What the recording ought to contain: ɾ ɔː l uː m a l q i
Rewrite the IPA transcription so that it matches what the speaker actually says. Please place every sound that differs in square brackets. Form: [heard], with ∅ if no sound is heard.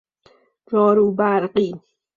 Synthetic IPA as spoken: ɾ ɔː [ɾ] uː [b] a [ɾ] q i